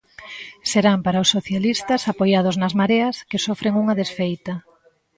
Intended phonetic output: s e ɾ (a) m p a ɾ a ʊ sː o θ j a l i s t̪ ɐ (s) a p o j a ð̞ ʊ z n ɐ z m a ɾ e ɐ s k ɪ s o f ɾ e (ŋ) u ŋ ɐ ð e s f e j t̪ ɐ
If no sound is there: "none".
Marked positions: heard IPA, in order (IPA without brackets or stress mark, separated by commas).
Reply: a, s, ŋ